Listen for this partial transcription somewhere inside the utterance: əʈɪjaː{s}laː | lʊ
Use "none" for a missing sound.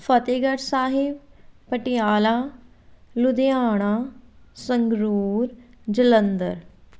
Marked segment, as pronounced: none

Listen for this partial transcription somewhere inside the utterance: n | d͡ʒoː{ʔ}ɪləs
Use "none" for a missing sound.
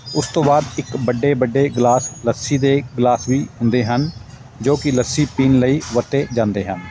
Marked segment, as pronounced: k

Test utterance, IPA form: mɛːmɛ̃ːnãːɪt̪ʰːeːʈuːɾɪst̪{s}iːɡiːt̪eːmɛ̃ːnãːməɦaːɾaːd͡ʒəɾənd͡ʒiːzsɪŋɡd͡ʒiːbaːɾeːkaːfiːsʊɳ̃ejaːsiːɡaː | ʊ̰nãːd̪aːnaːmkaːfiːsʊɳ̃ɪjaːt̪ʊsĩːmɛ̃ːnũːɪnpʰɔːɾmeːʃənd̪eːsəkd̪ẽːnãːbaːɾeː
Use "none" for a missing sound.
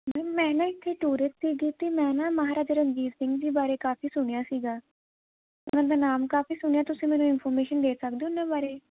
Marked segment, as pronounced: s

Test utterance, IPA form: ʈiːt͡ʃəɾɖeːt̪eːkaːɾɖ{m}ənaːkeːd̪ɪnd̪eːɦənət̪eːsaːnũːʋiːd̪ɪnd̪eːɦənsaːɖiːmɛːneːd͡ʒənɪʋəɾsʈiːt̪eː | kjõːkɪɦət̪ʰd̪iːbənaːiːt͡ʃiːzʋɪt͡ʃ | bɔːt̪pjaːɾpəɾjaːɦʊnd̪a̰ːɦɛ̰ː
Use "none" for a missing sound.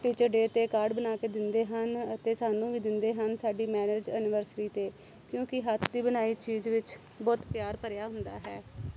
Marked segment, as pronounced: b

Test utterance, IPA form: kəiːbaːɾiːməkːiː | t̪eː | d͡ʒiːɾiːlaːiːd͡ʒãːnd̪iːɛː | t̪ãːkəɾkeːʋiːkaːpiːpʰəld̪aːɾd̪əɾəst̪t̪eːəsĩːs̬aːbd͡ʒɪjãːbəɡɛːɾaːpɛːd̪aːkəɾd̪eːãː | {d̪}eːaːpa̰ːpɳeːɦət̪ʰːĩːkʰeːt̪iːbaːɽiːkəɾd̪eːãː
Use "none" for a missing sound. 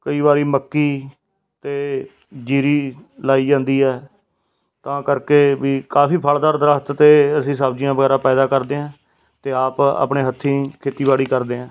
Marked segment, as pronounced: t̪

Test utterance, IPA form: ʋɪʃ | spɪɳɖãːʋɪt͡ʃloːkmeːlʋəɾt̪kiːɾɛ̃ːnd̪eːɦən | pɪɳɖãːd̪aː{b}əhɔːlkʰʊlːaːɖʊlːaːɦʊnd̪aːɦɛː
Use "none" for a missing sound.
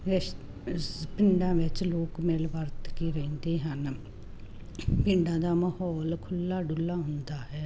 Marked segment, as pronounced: m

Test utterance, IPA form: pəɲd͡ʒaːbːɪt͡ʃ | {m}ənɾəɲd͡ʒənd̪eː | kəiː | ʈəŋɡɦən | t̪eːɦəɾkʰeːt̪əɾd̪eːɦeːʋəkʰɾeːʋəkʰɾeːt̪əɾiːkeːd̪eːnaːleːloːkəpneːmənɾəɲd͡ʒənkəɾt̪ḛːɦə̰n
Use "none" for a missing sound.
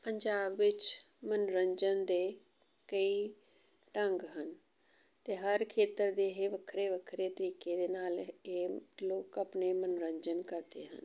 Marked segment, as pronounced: m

